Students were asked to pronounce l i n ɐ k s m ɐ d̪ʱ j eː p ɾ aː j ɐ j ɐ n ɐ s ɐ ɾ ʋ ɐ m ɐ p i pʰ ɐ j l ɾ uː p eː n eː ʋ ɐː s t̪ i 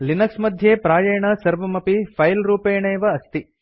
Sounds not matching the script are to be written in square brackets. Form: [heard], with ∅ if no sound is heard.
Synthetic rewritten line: l i n ɐ k s m ɐ d̪ʱ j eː p ɾ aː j ɐ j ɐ [ɳ] ɐ s ɐ ɾ ʋ ɐ m ɐ p i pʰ ɐ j l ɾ uː p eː [ɳ] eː ʋ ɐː s t̪ i